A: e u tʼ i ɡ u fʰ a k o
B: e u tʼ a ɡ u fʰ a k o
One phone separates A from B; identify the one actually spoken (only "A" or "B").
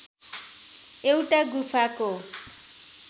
B